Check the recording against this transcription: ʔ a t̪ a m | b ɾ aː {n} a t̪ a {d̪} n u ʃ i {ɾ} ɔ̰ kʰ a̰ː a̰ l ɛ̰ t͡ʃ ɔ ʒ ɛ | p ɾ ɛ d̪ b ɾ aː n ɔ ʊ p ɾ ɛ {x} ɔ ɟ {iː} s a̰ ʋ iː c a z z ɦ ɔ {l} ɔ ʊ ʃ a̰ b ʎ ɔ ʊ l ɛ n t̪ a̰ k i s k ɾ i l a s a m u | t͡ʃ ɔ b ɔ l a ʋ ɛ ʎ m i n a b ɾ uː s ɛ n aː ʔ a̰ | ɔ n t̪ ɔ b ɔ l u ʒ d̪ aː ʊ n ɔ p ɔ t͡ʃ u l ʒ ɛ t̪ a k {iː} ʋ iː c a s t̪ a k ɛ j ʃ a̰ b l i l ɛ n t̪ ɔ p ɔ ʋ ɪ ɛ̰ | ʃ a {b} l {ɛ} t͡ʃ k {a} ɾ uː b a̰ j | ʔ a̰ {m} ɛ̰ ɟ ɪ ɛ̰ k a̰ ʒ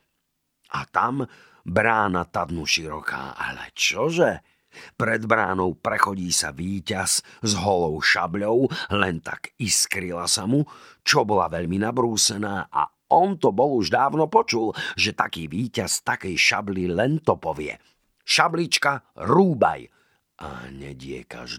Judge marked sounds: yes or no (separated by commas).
yes, yes, yes, yes, yes, yes, yes, yes, no, yes, no